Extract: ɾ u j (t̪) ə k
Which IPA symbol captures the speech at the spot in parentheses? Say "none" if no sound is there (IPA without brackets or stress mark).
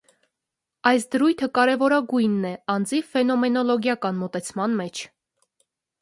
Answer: t̪ʰ